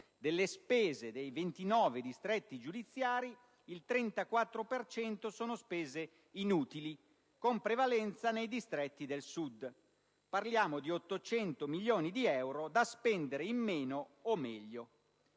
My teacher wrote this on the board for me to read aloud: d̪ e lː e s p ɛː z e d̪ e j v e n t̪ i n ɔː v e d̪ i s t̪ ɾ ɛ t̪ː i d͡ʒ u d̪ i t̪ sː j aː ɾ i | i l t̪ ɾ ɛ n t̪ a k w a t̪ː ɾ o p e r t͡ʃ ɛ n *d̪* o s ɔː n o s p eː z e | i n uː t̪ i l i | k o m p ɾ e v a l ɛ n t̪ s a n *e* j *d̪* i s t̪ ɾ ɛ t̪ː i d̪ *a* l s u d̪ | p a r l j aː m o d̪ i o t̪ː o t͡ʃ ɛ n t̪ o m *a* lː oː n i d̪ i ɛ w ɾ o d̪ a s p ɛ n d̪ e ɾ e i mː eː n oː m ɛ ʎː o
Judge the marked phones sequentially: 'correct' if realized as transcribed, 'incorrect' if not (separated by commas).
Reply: incorrect, correct, correct, incorrect, incorrect